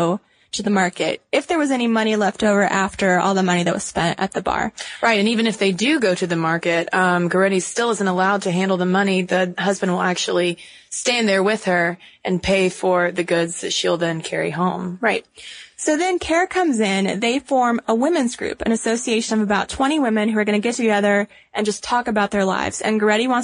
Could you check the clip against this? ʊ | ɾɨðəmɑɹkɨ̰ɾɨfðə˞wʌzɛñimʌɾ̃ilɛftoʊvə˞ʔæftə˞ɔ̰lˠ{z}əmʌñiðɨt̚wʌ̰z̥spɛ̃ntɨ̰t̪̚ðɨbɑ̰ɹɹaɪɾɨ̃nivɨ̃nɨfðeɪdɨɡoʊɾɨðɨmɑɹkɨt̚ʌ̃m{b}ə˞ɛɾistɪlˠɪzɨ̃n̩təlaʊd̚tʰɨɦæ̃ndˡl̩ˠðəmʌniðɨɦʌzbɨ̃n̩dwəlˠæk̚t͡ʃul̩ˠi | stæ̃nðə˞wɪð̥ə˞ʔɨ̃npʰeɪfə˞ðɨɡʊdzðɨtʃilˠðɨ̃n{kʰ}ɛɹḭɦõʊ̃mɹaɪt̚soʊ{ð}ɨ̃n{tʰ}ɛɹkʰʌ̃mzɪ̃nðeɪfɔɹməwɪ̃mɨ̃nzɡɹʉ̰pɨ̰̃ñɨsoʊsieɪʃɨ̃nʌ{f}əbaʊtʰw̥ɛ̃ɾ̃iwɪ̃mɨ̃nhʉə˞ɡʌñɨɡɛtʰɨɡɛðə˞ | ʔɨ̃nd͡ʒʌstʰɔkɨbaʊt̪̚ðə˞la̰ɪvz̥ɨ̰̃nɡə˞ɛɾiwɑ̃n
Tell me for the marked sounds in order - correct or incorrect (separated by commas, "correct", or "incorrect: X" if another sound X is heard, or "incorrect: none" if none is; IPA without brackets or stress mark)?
incorrect: ð, incorrect: ɡ, correct, correct, incorrect: kʰ, incorrect: v